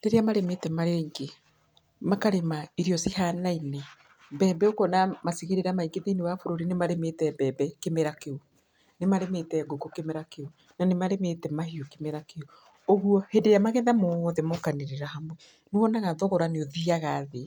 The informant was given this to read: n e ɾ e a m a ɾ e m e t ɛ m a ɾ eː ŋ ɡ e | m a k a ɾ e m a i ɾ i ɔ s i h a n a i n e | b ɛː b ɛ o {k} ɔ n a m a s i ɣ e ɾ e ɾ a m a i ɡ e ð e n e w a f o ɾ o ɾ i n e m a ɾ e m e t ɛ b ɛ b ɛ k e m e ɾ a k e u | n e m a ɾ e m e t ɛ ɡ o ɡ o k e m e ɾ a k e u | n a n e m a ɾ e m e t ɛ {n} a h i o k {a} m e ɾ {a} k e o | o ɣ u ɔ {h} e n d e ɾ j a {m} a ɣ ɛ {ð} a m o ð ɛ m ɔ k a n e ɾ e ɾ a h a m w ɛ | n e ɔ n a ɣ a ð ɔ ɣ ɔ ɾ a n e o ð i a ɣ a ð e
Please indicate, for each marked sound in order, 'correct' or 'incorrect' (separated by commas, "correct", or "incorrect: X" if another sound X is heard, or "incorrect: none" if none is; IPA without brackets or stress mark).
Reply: correct, incorrect: m, incorrect: e, correct, correct, correct, correct